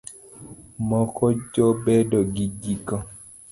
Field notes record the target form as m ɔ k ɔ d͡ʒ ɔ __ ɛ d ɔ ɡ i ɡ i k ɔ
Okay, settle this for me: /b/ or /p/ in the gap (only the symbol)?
b